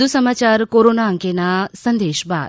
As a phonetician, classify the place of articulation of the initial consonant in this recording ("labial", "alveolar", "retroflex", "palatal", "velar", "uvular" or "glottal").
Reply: alveolar